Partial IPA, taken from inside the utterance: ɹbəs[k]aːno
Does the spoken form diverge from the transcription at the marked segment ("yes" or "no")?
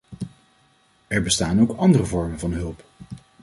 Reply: yes